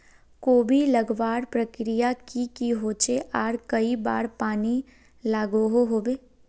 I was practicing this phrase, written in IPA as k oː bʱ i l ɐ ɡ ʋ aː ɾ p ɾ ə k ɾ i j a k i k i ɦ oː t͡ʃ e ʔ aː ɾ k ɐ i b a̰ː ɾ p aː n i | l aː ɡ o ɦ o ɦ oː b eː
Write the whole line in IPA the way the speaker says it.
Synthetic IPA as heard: k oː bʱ i l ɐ ɡ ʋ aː ɾ p ɾ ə k ɾ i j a k i k i ɦ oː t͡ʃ e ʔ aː ɾ k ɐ i b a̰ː ɾ p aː n i | l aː ɡ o ɦ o ɦ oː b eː